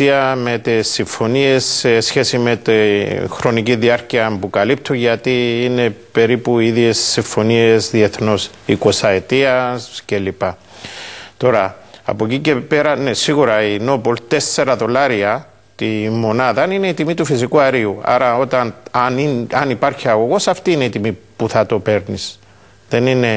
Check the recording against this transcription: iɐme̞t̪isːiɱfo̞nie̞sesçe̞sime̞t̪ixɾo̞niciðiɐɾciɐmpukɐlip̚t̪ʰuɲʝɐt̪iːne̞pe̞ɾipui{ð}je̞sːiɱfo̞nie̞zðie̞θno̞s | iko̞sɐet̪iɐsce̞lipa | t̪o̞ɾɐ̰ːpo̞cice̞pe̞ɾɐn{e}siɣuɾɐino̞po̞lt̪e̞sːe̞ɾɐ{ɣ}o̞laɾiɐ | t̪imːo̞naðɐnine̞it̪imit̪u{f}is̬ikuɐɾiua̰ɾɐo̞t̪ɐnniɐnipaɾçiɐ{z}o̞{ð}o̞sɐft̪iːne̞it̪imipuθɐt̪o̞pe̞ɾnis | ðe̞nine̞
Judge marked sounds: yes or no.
yes, yes, no, yes, no, no

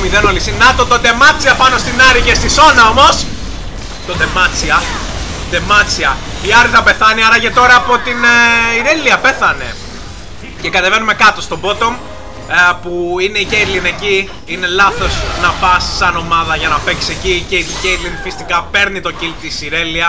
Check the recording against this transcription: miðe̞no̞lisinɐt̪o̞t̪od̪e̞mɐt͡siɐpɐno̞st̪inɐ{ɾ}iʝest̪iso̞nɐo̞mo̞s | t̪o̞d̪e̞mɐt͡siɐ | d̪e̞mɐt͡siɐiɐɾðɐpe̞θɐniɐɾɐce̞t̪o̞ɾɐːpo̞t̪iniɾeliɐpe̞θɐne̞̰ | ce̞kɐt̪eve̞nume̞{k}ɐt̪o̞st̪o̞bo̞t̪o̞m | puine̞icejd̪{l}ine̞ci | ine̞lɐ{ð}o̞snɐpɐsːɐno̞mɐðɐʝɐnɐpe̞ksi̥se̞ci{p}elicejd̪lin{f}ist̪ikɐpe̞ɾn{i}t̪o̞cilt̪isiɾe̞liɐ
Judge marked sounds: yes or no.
yes, yes, yes, no, no, yes, yes

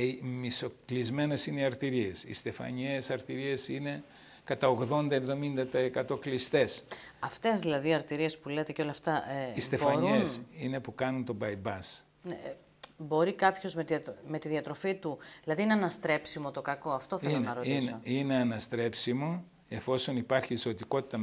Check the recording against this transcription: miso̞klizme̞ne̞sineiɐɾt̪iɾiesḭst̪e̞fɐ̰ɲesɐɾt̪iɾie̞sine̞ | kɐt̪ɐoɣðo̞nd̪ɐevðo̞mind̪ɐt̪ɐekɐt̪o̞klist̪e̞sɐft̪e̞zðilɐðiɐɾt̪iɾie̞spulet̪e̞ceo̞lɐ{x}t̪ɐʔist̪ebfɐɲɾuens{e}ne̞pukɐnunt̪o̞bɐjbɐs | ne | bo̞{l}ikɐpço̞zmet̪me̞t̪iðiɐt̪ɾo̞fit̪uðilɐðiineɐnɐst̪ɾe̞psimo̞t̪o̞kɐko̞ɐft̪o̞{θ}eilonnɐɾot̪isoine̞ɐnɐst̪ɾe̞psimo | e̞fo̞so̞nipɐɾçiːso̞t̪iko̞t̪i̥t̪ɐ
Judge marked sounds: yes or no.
no, no, no, yes

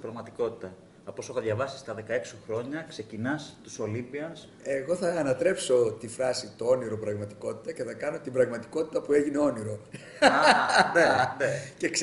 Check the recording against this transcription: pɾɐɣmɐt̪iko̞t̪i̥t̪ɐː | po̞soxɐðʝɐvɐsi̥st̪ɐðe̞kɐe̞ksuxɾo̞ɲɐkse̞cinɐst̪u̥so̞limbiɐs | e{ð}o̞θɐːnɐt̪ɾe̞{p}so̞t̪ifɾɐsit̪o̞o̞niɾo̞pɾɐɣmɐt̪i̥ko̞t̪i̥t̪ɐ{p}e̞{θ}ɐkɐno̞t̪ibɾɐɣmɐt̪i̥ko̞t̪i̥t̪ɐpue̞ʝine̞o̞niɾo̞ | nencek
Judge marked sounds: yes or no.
no, yes, no, yes

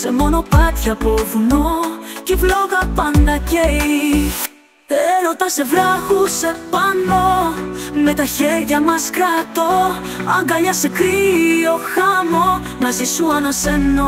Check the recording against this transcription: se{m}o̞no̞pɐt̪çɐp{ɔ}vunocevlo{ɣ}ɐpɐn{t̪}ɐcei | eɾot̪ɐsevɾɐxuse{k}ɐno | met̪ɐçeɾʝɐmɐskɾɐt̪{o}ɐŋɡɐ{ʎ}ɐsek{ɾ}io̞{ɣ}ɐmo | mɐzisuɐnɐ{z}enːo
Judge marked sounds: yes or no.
yes, no, yes, no, no, yes, yes, yes, no, no

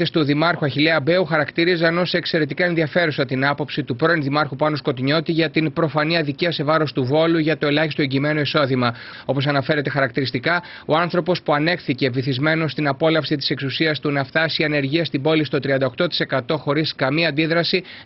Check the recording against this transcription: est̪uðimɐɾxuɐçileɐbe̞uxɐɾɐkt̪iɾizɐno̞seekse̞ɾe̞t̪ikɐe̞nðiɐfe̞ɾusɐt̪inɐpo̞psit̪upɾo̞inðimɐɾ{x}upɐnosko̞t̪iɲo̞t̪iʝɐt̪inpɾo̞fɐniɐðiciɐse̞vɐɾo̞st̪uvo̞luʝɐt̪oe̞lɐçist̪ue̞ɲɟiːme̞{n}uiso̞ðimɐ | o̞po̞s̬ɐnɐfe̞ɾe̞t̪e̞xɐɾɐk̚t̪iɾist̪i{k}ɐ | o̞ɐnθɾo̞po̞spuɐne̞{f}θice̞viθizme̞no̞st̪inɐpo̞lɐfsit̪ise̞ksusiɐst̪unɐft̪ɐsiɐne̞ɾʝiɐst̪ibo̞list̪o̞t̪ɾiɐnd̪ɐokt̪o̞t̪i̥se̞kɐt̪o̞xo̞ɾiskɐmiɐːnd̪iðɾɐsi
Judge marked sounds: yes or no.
yes, yes, yes, no

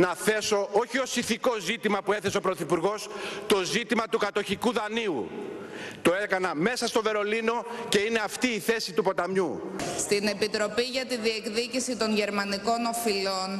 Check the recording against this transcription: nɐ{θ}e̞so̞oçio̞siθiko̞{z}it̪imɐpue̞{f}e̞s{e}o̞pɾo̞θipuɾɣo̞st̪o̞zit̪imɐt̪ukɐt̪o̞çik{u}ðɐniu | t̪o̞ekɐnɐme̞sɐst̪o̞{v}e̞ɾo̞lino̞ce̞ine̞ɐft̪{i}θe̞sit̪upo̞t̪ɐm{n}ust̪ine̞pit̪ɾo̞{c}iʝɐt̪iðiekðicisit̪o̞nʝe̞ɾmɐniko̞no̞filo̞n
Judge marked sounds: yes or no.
yes, yes, no, yes, yes, yes, no, no, no

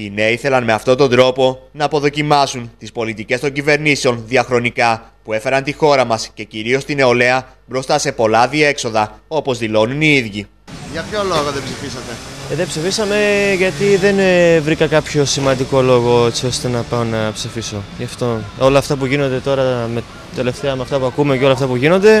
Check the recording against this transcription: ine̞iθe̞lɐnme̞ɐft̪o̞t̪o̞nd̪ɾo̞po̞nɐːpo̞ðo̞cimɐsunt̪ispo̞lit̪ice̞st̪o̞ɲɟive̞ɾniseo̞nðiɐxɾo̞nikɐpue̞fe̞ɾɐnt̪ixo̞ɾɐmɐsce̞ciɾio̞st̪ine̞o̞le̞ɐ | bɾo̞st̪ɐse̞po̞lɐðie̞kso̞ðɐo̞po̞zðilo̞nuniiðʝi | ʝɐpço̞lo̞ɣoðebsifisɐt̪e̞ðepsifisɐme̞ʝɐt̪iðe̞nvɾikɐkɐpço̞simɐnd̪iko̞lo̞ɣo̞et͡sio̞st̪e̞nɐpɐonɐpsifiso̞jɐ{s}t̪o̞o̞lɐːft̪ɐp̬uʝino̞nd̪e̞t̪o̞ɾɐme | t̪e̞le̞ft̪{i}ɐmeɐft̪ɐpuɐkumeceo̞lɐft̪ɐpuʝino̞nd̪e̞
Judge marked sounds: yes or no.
no, no

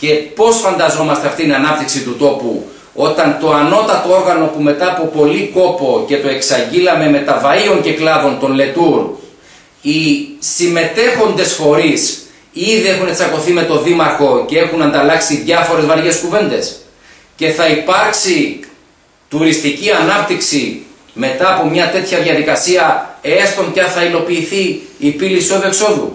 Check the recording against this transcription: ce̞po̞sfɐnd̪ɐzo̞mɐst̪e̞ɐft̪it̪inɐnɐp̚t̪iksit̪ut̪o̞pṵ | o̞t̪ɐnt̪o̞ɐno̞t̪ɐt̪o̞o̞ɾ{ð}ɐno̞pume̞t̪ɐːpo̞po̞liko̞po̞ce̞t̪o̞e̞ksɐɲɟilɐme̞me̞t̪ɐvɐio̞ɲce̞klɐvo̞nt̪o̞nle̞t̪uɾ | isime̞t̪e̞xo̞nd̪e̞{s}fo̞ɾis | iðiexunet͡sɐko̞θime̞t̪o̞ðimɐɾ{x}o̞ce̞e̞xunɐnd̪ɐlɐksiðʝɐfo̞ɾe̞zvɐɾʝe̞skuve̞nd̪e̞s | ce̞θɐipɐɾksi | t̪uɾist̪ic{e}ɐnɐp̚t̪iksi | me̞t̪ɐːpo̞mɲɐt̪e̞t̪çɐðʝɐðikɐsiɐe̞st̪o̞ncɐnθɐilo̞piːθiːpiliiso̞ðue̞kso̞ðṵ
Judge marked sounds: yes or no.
no, yes, yes, no

